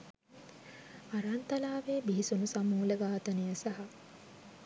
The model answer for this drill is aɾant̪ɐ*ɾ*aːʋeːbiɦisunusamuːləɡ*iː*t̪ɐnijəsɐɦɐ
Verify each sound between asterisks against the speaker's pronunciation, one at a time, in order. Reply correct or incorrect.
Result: incorrect: l, incorrect: aː

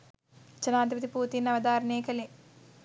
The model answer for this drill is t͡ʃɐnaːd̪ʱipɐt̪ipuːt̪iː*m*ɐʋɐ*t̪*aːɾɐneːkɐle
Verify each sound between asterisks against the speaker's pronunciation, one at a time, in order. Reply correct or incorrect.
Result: incorrect: n, incorrect: d̪

